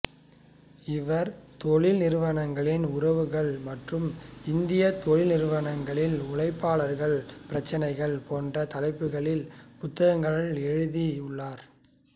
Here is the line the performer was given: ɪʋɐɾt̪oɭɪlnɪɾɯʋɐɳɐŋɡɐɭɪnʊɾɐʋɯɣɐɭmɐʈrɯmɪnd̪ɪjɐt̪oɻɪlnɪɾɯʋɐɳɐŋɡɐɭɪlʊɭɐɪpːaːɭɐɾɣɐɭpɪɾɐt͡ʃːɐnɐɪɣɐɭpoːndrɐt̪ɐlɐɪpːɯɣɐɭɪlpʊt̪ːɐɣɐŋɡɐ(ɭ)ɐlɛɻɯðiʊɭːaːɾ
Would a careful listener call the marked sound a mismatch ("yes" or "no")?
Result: no